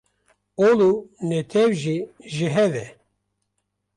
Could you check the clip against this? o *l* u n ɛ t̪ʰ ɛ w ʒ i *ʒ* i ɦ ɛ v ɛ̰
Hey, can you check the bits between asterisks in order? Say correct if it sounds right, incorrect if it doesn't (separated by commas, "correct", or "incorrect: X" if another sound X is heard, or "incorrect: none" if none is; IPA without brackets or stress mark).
correct, correct